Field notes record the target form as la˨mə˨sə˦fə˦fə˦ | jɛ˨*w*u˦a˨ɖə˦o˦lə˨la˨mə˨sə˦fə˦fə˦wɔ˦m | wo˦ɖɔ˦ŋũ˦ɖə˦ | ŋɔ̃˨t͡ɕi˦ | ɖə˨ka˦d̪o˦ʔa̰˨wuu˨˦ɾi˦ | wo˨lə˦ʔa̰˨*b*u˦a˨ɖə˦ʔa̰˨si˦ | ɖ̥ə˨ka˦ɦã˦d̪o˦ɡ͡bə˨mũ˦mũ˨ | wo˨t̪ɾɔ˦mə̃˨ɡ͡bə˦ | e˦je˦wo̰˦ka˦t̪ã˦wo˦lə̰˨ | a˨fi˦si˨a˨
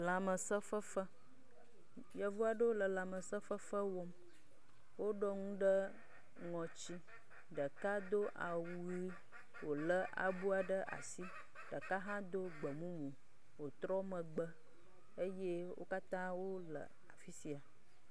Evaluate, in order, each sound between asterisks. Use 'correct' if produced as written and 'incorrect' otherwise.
incorrect: v, correct

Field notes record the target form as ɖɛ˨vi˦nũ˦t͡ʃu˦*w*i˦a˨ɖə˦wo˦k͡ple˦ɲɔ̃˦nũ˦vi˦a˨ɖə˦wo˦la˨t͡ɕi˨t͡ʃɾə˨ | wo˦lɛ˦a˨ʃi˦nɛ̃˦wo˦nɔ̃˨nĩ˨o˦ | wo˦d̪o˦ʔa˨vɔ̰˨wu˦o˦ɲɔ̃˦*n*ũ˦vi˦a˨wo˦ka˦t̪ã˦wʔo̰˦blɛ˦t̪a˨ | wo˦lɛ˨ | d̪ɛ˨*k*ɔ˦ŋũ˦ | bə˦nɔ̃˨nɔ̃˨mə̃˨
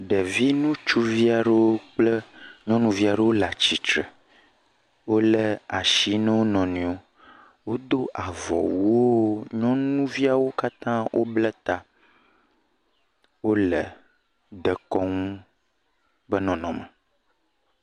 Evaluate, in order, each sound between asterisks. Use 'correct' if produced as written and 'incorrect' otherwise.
incorrect: v, correct, correct

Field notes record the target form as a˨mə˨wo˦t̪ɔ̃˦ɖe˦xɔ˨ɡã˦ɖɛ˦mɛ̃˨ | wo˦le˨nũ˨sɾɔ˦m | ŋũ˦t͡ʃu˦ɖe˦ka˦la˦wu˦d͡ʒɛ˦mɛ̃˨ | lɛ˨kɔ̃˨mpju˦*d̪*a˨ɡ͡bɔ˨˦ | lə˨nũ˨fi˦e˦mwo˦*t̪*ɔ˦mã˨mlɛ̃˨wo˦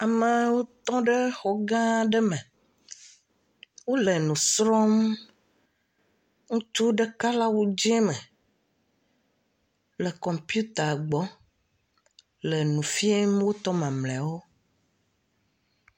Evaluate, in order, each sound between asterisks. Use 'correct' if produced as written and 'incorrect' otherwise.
incorrect: t̪, correct

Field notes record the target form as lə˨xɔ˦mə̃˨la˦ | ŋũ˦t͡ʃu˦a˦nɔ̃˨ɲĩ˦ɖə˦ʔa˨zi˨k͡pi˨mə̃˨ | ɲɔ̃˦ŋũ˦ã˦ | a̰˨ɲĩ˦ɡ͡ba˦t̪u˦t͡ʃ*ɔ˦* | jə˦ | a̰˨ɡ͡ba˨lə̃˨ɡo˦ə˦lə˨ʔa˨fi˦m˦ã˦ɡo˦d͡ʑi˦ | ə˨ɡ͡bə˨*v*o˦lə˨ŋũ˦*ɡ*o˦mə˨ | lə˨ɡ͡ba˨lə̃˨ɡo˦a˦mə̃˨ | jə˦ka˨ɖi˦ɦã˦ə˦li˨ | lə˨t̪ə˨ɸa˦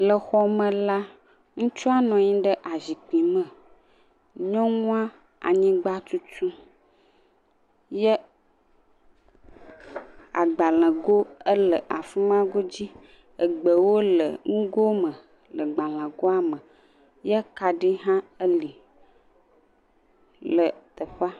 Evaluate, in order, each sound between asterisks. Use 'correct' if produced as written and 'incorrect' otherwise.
incorrect: u˦, incorrect: w, correct

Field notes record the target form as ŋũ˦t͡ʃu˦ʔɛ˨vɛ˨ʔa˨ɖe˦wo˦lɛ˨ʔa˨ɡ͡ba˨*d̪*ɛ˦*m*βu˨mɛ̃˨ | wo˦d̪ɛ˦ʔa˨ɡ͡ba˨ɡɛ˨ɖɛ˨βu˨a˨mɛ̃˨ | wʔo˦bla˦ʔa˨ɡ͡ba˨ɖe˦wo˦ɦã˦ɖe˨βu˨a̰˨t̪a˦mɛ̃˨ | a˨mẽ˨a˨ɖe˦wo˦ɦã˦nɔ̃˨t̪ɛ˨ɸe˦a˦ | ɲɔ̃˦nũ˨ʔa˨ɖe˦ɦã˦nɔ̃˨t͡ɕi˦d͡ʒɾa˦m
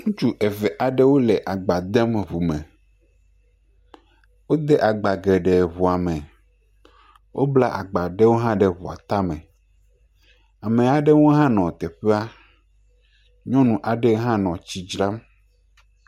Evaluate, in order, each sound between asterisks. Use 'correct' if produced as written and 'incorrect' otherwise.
correct, correct

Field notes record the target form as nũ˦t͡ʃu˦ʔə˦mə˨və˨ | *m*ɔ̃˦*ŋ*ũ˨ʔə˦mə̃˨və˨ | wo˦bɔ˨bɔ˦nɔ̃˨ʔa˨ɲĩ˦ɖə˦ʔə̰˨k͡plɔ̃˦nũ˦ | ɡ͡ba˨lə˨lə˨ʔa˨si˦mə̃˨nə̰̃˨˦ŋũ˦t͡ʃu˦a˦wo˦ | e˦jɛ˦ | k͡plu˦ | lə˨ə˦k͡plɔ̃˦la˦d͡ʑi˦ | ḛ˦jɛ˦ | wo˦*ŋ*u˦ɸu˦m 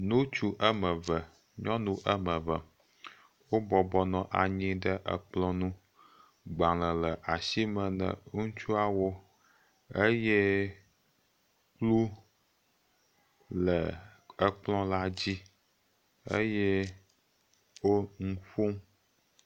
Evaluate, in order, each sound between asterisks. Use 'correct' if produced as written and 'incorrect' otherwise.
incorrect: ɲ, incorrect: n, correct

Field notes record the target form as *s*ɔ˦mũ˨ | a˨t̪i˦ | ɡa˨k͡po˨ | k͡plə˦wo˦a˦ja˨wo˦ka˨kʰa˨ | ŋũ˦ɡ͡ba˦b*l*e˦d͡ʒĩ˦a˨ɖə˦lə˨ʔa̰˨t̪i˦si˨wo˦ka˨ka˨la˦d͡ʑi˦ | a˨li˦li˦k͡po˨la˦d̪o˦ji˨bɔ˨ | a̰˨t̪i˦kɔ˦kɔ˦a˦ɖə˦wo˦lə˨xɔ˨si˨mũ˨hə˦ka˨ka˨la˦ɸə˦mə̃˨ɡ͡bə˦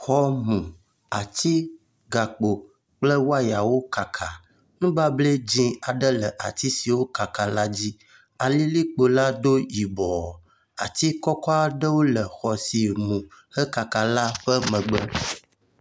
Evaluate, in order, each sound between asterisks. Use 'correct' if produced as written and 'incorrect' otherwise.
incorrect: x, correct

